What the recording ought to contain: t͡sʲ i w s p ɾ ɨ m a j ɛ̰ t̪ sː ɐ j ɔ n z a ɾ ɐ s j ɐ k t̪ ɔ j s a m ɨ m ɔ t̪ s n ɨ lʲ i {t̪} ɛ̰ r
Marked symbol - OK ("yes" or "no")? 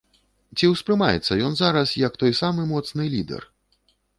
no